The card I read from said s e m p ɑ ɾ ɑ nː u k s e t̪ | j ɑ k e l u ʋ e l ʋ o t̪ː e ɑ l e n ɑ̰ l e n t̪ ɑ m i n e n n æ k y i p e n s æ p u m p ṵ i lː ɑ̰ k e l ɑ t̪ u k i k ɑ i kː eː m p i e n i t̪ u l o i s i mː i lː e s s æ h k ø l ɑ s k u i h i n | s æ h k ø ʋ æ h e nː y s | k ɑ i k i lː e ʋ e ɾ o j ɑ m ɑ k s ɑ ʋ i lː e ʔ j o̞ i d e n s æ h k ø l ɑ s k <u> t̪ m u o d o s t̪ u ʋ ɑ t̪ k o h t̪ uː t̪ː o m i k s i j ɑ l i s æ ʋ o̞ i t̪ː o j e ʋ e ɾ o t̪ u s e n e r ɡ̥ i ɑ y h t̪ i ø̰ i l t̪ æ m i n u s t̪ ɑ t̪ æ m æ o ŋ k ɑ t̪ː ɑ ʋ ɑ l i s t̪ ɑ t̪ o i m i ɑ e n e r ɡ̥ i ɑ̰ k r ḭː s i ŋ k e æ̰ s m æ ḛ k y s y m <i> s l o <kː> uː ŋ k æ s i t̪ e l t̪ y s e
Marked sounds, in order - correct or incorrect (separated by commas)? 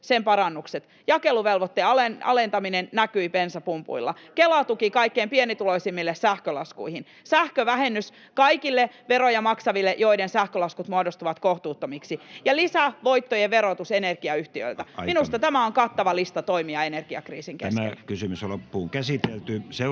correct, incorrect, incorrect